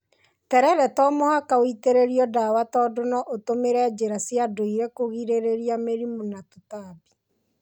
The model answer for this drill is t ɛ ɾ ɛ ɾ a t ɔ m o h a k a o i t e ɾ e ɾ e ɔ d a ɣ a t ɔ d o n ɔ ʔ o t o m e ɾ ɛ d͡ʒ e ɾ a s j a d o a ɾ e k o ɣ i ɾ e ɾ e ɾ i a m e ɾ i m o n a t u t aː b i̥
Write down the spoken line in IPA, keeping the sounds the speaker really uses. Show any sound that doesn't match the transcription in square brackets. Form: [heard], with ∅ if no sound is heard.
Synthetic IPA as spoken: t ɛ ɾ ɛ ɾ [ɛ] t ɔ m o h a k a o i t e ɾ e ɾ [i] ɔ d a [w] a t ɔ d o n ɔ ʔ o t o m e ɾ ɛ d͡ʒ e ɾ a s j a d o [i] ɾ e k o ɣ i ɾ e ɾ e ɾ i a m e ɾ i m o n a t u t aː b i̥